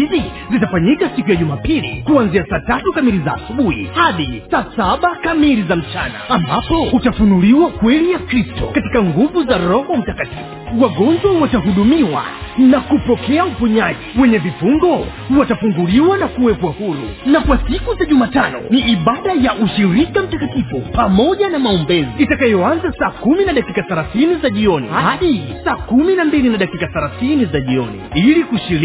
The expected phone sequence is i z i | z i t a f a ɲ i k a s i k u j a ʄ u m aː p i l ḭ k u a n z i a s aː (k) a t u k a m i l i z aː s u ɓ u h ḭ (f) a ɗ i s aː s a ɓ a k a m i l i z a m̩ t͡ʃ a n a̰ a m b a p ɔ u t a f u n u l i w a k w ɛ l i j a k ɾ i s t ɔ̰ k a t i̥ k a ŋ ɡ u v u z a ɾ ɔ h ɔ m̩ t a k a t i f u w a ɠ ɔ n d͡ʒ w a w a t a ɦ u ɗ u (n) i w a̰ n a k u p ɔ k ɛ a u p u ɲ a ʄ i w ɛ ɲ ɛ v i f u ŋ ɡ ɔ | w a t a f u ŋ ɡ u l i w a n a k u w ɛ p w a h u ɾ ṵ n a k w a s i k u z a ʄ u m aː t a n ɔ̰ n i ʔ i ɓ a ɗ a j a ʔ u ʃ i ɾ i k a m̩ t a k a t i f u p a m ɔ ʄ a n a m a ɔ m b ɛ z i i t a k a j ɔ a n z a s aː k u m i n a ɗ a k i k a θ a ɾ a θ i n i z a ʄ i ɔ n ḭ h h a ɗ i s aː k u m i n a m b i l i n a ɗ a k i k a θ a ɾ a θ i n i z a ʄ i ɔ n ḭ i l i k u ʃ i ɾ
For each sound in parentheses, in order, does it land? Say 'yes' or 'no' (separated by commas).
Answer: no, no, no